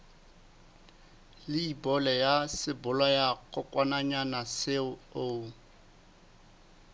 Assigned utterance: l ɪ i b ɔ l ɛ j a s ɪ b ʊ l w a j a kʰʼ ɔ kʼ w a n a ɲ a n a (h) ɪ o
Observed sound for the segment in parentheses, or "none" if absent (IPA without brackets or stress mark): s